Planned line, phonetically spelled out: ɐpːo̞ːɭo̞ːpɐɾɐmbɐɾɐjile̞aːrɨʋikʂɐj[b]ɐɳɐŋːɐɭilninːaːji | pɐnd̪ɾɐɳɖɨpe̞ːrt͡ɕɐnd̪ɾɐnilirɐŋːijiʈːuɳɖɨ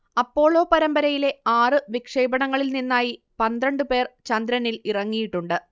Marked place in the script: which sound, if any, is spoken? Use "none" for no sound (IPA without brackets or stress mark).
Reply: b